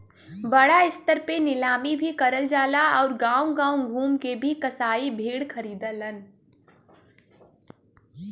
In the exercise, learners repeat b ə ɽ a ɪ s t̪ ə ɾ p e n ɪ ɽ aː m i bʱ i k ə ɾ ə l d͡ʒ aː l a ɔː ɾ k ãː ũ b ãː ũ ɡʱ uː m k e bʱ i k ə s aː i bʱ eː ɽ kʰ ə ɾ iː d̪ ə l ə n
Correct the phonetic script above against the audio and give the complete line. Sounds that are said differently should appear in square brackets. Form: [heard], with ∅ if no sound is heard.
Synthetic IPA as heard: b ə ɽ a ɪ s t̪ ə ɾ p e n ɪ [l] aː m i bʱ i k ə ɾ ə l d͡ʒ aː l a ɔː ɾ [ɡ] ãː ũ [ɡ] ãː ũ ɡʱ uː m k e bʱ i k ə s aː i bʱ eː ɽ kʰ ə ɾ iː d̪ ə l ə n